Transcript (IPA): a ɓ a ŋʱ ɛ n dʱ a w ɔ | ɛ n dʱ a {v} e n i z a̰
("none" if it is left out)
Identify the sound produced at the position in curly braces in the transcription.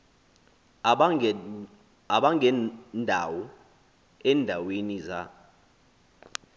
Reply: w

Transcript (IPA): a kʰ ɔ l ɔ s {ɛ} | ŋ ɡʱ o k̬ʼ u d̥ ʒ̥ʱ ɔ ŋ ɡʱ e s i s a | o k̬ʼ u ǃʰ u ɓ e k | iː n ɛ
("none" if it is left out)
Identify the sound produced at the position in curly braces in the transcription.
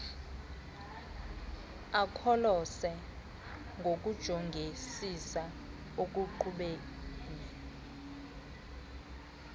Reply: ɛ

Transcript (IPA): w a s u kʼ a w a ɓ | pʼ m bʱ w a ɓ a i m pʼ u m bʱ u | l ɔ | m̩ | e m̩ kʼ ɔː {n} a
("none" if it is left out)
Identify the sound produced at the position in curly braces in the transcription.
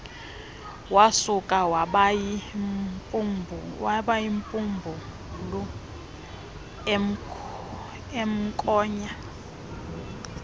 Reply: ɲ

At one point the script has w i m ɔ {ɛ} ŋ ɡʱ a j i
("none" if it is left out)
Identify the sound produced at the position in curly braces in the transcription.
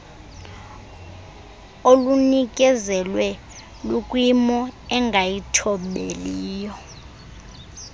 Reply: ɛ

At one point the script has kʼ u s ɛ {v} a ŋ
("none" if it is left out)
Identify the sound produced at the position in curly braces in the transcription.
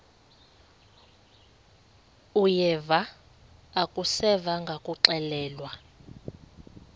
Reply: v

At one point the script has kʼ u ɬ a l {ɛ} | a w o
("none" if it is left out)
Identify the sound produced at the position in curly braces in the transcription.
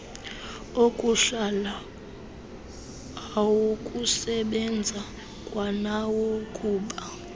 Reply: a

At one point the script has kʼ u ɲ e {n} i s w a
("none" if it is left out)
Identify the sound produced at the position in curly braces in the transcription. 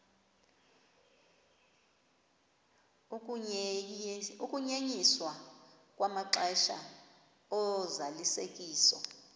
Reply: ɲ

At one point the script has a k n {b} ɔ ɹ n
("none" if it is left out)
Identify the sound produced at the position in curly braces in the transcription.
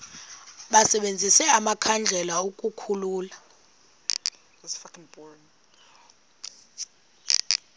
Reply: b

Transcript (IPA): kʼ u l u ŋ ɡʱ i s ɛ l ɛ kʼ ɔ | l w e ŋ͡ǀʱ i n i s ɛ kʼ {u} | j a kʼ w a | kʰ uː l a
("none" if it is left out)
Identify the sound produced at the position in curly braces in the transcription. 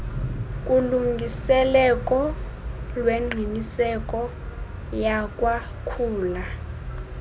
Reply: ɔ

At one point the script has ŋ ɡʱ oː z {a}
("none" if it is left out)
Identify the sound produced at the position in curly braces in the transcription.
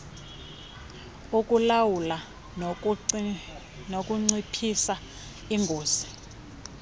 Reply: i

